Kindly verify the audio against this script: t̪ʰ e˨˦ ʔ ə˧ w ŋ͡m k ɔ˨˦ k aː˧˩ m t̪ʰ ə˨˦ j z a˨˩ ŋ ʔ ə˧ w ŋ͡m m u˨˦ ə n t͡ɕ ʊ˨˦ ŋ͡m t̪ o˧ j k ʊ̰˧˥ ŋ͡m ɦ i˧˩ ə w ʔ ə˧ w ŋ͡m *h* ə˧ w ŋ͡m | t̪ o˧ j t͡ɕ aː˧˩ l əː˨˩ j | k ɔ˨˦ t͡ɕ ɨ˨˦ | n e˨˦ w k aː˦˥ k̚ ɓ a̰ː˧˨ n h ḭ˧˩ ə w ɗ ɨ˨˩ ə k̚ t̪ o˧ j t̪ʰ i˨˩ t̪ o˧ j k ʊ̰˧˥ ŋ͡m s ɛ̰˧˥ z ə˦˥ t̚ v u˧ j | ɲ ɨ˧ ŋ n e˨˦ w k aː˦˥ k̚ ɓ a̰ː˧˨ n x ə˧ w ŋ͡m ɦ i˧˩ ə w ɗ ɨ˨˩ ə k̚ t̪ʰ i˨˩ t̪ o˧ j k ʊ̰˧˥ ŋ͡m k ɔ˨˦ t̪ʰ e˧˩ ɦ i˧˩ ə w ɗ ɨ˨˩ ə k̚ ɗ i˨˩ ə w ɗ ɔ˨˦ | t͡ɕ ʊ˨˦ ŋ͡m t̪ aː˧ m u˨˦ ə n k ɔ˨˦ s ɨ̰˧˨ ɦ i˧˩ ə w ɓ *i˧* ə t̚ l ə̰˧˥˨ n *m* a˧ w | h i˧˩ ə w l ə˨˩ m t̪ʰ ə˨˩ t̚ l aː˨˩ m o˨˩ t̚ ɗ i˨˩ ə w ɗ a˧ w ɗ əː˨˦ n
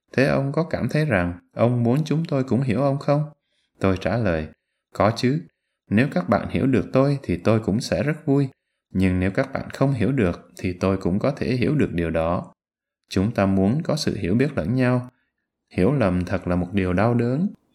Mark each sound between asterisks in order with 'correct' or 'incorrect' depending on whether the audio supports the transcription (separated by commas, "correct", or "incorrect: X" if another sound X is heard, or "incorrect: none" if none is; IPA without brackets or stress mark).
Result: incorrect: x, incorrect: i˦˥, incorrect: ɲ